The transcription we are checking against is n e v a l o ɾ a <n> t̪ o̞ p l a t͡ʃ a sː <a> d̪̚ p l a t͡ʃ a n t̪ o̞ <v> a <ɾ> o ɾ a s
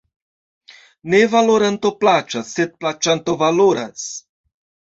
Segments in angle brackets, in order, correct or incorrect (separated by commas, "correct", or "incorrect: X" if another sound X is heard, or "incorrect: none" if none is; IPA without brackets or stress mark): correct, incorrect: e, correct, incorrect: l